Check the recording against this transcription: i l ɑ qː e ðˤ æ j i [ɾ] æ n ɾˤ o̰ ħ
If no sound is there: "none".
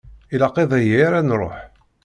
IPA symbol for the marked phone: ɾ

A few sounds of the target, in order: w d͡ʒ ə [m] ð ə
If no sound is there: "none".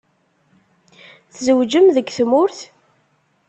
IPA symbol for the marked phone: m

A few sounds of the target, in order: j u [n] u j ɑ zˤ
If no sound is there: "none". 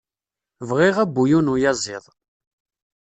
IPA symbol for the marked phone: n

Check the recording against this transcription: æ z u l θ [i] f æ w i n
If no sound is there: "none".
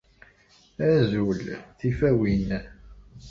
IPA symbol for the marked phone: i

